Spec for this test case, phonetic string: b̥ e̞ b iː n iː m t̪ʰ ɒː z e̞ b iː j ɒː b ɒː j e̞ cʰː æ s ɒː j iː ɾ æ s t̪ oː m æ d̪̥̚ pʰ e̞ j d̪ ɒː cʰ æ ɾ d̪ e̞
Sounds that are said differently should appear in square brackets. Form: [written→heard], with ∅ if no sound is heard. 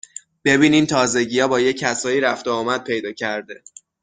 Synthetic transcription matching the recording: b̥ e̞ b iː n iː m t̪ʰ ɒː z e̞ [b→ɟ] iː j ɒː b ɒː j e̞ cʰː æ s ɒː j iː ɾ æ [s→f] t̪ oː m æ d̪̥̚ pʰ e̞ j d̪ ɒː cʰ æ ɾ d̪ e̞